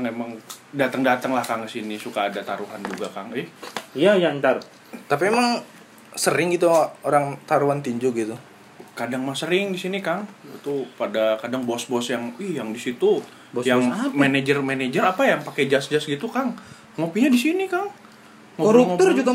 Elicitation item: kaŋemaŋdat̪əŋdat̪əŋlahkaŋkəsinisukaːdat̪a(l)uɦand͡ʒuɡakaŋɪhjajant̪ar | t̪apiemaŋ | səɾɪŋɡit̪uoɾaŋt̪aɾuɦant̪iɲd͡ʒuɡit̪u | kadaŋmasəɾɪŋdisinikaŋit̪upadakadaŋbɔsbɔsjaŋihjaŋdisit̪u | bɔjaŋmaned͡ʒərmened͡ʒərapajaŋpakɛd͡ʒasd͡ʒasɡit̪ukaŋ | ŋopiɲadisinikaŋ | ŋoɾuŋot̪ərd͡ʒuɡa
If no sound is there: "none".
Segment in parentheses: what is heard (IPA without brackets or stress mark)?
ɾ